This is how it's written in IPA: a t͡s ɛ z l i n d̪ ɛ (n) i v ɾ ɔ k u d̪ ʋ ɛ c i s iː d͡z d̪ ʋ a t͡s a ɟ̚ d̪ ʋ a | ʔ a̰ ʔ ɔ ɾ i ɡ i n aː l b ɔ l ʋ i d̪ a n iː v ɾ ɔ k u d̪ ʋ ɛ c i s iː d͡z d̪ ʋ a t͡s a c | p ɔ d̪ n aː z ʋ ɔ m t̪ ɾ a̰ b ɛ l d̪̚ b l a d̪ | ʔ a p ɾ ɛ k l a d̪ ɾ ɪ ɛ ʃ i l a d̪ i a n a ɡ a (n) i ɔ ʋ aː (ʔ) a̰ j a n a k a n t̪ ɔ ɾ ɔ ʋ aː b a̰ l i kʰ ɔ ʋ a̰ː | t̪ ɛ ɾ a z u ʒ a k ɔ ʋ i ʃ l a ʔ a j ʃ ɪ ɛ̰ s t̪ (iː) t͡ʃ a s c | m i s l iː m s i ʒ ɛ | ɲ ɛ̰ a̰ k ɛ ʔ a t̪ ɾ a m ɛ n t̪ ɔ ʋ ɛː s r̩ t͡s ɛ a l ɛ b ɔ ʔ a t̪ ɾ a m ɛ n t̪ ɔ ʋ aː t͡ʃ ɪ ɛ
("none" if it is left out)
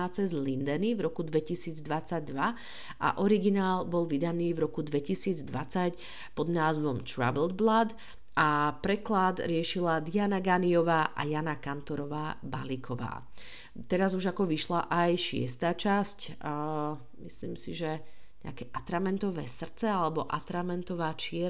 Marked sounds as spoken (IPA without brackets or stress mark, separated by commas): n, n, ʔ, aː